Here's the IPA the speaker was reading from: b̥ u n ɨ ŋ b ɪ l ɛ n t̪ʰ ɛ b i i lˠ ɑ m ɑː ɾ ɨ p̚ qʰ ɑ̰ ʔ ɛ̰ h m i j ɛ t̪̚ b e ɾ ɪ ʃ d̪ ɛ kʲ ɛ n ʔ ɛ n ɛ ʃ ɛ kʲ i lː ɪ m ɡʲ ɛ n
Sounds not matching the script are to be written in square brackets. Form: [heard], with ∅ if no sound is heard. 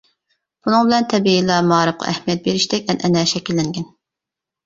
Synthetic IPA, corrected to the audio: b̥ u n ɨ ŋ b ɪ l ɛ n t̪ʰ ɛ b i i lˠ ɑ m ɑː ɾ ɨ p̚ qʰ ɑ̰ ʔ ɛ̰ h m i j ɛ t̪̚ b e ɾ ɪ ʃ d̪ ɛ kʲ ɛ n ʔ ɛ n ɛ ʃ ɛ kʲ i lː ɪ [ŋ] ɡʲ ɛ n

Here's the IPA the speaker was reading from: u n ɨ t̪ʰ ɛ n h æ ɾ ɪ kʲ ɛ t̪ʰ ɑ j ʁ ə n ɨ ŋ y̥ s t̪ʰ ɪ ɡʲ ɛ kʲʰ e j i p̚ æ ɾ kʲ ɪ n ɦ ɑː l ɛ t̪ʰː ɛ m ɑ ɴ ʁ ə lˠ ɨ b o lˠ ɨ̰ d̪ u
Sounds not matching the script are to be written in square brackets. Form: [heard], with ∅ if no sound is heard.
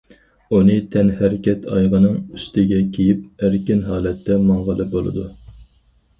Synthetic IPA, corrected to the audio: u n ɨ t̪ʰ ɛ n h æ ɾ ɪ kʲ ɛ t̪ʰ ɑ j ʁ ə n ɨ ŋ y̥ s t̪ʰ ɪ ɡʲ ɛ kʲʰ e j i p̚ æ ɾ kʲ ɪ n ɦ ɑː l ɛ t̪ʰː ɛ m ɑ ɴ ʁ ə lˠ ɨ b o lˠ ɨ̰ d̪ u

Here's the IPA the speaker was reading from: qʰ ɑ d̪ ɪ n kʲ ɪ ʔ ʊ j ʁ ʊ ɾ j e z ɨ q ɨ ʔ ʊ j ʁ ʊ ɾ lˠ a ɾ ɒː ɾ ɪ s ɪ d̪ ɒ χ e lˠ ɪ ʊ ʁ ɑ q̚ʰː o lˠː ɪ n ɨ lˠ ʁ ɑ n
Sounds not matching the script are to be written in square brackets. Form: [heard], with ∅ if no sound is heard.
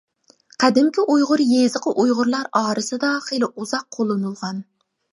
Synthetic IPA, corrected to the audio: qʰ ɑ d̪ ɪ [m] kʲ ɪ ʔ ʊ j ʁ ʊ ɾ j e z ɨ q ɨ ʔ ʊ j ʁ ʊ ɾ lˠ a ɾ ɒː ɾ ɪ s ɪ d̪ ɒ χ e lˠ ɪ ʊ [z] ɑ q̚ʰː o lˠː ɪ n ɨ lˠ ʁ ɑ n

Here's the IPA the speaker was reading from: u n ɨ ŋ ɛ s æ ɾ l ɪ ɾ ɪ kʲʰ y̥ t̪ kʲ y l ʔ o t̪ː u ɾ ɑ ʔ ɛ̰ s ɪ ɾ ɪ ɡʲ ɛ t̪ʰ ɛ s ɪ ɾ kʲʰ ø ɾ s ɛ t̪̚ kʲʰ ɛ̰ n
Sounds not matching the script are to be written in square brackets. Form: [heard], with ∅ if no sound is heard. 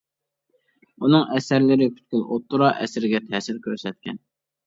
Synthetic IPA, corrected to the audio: u n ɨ ŋ ɛ s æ ɾ l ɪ ɾ ɪ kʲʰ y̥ t̪ kʲ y l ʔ o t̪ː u ɾ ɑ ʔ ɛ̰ s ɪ ɾ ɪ ɡʲ ɛ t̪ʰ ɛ s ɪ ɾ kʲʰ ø ɾ s ɛ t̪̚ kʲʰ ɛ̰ n

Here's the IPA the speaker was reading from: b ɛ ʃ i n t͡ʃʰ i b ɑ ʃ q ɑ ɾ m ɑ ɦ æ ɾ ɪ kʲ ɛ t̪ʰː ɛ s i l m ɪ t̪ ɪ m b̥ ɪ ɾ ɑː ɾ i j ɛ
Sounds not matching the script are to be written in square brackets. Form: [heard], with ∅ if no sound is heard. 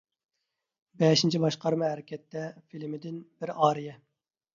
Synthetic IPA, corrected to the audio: b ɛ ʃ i n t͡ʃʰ i b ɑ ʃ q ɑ ɾ m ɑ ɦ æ ɾ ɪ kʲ ɛ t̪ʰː ɛ [f] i l m ɪ [d̪] ɪ [n] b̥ ɪ ɾ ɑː ɾ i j ɛ

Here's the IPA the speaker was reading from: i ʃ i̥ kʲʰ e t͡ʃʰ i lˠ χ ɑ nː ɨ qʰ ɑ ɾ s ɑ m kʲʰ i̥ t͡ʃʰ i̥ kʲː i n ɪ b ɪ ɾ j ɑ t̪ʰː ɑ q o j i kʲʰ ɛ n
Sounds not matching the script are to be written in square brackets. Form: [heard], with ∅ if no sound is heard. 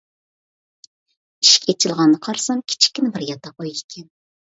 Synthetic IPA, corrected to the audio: i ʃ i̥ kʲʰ e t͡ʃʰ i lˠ [ʁ] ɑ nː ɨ qʰ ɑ ɾ s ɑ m kʲʰ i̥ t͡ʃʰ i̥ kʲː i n ɪ b ɪ ɾ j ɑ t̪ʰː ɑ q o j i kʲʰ ɛ n

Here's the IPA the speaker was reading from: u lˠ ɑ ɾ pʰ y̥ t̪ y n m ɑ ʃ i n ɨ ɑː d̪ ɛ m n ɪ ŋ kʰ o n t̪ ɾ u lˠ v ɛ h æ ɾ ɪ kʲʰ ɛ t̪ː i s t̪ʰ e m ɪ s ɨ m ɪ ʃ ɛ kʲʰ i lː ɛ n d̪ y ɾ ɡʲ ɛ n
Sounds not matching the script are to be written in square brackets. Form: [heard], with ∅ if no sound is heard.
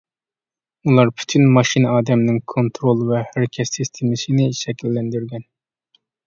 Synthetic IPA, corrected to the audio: u lˠ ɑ ɾ pʰ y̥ [t̪ʰ] y n m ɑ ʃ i n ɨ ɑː d̪ ɛ m n ɪ ŋ kʰ o n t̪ ɾ [o] lˠ v ɛ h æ ɾ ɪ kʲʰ ɛ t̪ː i s t̪ʰ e m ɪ s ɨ [n] ɪ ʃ ɛ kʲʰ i lː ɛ n d̪ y ɾ ɡʲ ɛ n

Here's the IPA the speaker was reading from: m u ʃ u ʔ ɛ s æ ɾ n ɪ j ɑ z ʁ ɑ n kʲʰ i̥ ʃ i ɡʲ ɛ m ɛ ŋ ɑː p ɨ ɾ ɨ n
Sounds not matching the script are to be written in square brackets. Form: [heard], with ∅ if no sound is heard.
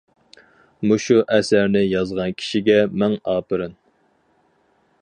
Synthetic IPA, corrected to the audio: m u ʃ u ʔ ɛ s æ ɾ n ɪ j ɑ z ʁ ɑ n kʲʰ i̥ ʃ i ɡʲ ɛ m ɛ ŋ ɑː p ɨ ɾ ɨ n

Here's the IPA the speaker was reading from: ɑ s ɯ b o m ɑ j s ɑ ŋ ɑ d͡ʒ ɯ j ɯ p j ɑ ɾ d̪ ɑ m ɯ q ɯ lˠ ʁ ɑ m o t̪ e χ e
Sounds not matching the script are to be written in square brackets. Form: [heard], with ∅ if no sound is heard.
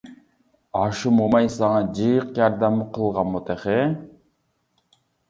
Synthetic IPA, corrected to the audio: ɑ [ʃ] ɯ [m] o m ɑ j s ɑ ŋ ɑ d͡ʒ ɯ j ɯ [q] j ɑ ɾ d̪ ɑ m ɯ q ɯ lˠ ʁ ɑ m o t̪ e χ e

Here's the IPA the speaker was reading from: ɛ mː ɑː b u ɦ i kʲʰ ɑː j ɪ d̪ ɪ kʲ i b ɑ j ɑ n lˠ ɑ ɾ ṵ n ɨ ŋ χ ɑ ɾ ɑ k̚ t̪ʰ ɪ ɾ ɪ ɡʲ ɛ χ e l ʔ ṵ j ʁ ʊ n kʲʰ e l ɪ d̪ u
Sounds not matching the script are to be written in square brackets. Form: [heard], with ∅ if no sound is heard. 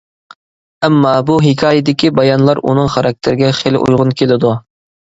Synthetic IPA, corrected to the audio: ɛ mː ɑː b u ɦ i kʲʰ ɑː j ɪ d̪ ɪ kʲ i b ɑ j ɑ n lˠ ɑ ɾ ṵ n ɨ ŋ χ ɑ ɾ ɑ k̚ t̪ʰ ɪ ɾ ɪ ɡʲ ɛ χ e l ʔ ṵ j ʁ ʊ n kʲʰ e l ɪ d̪ u

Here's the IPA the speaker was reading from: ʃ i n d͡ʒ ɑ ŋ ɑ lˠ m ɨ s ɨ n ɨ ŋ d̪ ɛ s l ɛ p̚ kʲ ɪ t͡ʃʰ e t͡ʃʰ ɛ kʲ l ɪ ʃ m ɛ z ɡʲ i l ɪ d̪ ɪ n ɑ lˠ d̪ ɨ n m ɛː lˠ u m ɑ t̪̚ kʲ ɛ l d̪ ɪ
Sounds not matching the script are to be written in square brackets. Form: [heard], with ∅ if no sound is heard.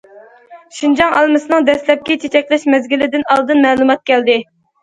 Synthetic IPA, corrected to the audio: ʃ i n d͡ʒ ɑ ŋ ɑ lˠ m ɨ s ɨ n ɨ ŋ d̪ ɛ s l ɛ p̚ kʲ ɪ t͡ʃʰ e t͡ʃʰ ɛ kʲ l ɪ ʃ m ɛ z ɡʲ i l ɪ d̪ ɪ n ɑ lˠ d̪ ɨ n m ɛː lˠ u m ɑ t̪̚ kʲ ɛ l d̪ ɪ

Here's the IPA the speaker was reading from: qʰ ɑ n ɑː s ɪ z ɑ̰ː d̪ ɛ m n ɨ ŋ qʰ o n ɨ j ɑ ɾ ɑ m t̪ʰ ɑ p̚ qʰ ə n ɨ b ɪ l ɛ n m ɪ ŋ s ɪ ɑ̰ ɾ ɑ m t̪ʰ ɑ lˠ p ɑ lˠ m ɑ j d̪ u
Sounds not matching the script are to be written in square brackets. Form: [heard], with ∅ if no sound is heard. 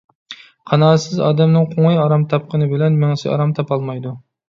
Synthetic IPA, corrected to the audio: qʰ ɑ n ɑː s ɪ z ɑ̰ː d̪ ɛ m n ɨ ŋ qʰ o [ŋ] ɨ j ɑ ɾ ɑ m t̪ʰ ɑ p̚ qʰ ə n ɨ b ɪ l ɛ n m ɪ ŋ s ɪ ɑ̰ ɾ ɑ m t̪ʰ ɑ [∅] p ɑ lˠ m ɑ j d̪ u

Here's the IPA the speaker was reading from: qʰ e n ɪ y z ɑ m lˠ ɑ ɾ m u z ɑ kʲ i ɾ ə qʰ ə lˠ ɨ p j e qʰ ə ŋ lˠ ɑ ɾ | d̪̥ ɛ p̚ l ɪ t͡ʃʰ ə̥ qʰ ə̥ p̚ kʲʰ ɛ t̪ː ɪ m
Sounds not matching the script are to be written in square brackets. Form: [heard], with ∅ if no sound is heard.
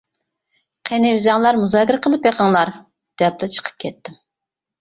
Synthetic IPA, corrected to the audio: qʰ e n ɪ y z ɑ [ŋ] lˠ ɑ ɾ m u z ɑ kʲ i ɾ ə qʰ ə lˠ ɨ p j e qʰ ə ŋ lˠ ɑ ɾ | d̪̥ ɛ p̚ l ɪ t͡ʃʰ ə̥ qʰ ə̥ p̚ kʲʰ ɛ t̪ː ɪ m

